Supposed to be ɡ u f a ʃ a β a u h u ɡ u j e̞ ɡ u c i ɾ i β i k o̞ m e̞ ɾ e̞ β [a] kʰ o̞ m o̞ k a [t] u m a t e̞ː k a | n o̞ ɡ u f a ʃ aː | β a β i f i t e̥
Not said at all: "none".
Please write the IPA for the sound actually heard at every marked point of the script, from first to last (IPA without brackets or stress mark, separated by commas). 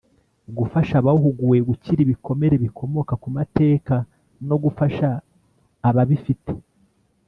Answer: i, k